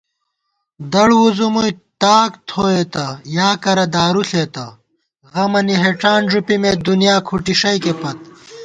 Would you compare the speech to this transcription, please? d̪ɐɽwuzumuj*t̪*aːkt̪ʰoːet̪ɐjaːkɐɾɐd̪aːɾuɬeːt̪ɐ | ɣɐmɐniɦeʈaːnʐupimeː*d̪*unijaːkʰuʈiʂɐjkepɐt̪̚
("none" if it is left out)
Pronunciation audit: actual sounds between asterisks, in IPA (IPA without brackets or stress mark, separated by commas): t̪, d̪